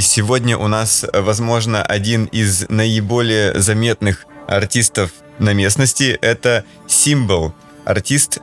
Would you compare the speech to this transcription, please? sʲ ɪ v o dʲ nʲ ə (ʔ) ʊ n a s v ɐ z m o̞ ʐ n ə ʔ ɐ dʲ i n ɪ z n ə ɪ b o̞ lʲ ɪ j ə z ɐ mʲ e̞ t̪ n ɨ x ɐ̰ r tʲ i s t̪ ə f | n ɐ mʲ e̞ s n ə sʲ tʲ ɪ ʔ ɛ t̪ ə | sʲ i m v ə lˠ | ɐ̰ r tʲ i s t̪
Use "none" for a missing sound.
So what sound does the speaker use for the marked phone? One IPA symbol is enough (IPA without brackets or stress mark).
ʔ